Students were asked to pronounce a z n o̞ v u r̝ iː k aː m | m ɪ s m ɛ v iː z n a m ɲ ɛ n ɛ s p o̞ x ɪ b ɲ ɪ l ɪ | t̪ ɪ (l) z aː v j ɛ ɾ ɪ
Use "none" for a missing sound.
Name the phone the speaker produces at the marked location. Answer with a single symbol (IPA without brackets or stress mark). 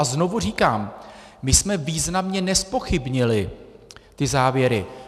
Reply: none